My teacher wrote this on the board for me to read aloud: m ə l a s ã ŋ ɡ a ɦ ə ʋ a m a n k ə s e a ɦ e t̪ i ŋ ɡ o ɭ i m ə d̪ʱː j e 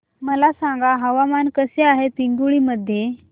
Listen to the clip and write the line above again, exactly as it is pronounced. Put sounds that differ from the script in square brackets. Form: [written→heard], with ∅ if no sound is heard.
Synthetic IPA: m ə l a s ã ŋ ɡ a ɦ ə ʋ a m a n k ə s e a ɦ e t̪ i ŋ ɡ [o→u] ɭ i m ə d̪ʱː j e